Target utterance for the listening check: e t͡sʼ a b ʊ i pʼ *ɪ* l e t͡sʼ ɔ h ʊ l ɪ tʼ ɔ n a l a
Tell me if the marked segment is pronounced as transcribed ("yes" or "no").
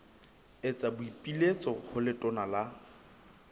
no